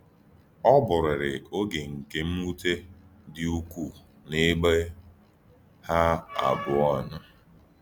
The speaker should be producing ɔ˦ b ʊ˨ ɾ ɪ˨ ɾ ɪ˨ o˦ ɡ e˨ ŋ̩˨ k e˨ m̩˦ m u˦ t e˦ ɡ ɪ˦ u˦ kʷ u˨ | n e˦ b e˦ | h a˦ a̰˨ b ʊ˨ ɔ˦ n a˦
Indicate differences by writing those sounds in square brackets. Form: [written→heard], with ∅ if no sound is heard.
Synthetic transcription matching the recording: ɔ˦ b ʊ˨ ɾ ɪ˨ ɾ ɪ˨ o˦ ɡ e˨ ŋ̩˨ k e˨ m̩˦ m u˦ t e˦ [ɡ→d] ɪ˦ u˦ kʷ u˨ | n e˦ [b→ɡ͡b] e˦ | h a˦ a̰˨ b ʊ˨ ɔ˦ n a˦